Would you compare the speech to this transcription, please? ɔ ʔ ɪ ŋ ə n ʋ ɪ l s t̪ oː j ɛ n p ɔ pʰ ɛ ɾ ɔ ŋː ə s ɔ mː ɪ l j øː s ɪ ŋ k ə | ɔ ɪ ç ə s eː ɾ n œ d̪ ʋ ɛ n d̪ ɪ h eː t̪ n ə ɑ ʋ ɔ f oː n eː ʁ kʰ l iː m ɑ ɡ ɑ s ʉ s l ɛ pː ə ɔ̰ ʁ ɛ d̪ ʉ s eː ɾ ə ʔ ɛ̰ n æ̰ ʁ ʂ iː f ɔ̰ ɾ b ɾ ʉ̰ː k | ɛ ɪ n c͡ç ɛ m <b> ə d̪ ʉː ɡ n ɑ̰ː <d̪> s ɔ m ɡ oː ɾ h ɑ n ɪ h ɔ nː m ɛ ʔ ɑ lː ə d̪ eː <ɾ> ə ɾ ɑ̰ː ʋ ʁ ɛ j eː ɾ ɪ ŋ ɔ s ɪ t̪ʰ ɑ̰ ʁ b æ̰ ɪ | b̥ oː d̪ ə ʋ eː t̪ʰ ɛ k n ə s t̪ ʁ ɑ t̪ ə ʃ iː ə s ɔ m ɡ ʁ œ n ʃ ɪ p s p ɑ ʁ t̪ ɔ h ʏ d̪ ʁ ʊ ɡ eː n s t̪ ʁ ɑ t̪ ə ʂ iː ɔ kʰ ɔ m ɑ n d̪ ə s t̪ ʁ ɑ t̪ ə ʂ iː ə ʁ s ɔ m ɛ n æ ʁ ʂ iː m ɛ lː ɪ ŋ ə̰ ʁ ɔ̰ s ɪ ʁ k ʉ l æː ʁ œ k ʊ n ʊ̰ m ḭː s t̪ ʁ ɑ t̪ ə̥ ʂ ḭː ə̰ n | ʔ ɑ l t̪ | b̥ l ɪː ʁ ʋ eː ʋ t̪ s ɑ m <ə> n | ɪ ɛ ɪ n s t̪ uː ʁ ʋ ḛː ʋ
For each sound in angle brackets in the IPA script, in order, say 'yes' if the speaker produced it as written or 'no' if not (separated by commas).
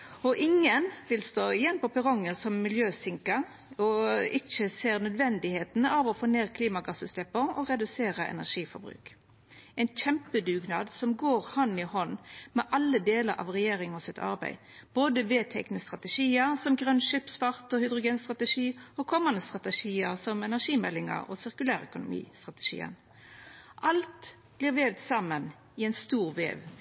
no, yes, no, yes